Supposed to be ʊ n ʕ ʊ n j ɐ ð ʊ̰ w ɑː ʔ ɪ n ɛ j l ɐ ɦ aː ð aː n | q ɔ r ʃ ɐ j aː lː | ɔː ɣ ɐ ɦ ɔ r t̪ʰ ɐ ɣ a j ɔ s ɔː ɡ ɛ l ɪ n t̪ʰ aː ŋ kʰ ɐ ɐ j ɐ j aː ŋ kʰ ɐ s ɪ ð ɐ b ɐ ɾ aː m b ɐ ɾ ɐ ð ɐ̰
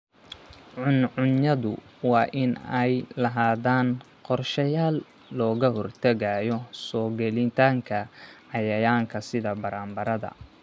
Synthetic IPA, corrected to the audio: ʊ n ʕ ʊ n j ɐ ð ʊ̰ w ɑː ʔ ɪ n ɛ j l ɐ ɦ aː ð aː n | q ɔ r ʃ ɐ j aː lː | ɔː ɣ ɐ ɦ ɔ r t̪ʰ ɐ ɣ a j ɔ s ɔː ɡ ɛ l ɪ n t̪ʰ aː ŋ kʰ ɐ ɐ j ɐ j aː ŋ kʰ ɐ s ɪ ð ɐ b ɐ ɾ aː m b ɐ ɾ ɐ ð ɐ̰